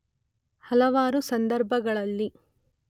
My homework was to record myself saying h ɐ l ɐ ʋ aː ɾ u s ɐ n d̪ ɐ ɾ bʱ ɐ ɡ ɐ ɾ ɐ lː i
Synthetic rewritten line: h ɐ l ɐ ʋ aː ɾ u s ɐ n d̪ ɐ ɾ bʱ ɐ ɡ ɐ ɭ ɐ lː i